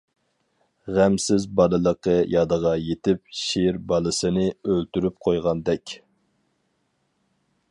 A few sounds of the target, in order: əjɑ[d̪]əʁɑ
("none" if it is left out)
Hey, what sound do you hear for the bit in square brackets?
d̪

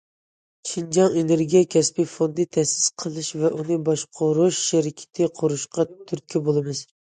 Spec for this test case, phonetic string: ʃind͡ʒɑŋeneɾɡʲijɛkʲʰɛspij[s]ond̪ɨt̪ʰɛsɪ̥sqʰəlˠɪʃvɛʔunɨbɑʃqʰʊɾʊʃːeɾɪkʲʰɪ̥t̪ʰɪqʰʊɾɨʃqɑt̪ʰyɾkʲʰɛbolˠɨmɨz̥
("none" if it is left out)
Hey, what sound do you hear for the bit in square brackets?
f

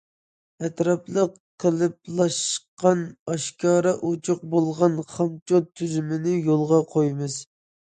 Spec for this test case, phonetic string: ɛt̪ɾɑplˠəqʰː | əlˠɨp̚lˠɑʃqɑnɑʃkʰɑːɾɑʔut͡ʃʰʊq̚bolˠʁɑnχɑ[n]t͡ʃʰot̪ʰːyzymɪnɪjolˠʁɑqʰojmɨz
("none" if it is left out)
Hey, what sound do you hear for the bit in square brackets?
m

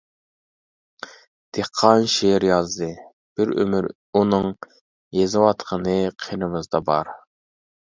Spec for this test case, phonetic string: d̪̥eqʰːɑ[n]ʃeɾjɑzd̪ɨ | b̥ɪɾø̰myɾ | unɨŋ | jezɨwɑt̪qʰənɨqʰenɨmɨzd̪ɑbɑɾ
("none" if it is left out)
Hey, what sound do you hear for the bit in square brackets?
n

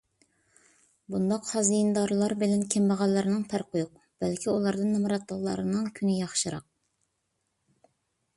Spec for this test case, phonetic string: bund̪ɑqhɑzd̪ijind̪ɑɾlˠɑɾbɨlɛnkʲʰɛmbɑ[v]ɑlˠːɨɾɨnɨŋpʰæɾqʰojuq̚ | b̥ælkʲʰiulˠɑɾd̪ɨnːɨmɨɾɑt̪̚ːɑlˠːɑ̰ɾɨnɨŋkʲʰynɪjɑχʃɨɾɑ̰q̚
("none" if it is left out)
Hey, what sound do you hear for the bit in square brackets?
ʁ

